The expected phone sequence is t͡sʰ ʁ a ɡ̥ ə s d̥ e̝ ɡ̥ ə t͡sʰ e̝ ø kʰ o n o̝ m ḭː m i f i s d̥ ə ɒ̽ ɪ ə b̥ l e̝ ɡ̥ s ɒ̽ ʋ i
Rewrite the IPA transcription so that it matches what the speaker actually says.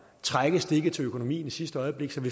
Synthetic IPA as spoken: t͡sʰ ʁ a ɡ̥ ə s d̥ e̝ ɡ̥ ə t͡sʰ e̝ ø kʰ o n o̝ m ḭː n i s i s d̥ ə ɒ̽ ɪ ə b̥ l e̝ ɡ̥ s ɒ̽ ʋ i